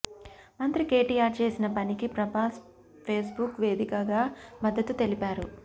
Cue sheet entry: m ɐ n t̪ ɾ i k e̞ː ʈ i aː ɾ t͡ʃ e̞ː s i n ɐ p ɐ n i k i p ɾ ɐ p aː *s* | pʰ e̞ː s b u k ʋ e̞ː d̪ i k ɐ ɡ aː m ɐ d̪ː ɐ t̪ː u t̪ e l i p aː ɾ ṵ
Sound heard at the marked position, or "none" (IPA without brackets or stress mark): s